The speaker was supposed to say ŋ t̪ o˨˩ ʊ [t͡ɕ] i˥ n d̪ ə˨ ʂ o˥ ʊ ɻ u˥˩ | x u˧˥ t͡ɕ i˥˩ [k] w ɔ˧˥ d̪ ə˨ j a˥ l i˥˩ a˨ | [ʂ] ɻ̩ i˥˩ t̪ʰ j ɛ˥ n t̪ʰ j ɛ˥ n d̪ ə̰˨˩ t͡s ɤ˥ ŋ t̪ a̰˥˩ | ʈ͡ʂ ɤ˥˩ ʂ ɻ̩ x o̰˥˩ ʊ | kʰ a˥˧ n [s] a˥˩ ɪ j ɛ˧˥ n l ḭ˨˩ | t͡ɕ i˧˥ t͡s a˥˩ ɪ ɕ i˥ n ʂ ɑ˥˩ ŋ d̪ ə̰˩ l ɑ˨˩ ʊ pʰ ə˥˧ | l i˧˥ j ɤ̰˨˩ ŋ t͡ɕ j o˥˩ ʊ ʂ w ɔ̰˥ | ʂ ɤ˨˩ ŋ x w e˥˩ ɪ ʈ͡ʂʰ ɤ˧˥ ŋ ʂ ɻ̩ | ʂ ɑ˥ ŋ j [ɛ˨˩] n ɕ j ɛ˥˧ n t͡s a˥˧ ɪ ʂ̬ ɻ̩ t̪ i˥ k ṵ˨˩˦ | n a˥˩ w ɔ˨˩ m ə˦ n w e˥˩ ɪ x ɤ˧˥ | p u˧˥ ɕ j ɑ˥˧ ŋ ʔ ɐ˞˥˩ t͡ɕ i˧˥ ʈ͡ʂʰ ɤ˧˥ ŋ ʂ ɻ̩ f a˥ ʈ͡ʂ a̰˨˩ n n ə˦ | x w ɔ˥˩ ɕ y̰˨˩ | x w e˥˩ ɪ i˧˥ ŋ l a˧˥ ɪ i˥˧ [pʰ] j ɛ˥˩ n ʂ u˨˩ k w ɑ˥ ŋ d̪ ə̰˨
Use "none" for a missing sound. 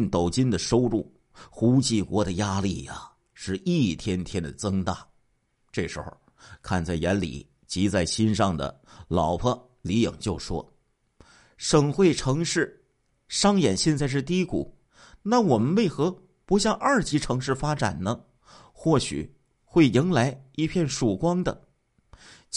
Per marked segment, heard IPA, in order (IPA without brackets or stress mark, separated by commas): t͡ɕ, k, ʂ, t͡s, ɛ˨˩, pʰ